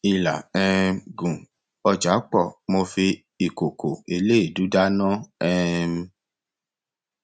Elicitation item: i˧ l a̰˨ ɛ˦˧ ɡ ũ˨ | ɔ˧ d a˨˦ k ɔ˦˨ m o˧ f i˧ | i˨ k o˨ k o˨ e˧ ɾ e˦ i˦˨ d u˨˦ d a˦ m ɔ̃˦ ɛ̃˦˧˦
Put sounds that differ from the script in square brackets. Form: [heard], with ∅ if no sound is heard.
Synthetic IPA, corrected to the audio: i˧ l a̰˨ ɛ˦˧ ɡ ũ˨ | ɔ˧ [d͡ʒ] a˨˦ [k͡p] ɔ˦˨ m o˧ f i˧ | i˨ k o˨ k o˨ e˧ [l] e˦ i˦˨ d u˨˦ d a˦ [n] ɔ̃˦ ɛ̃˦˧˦